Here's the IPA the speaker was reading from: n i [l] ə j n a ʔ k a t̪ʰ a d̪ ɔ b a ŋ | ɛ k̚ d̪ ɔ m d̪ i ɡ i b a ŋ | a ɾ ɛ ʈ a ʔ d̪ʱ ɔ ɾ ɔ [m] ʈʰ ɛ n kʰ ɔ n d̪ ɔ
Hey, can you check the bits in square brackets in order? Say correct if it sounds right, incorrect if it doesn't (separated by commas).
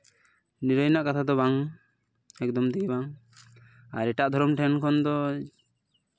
incorrect, correct